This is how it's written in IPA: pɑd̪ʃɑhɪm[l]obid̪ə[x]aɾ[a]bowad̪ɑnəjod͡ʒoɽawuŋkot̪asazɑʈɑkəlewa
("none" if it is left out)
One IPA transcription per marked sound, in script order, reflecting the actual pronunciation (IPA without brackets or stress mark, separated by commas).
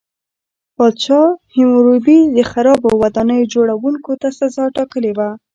ɾ, x, ɑ